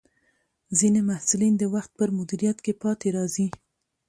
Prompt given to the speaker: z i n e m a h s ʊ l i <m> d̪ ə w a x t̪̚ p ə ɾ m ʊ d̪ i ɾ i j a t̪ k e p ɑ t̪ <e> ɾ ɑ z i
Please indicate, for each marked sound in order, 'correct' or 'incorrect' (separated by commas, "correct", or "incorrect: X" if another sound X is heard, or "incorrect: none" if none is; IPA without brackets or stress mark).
incorrect: n, correct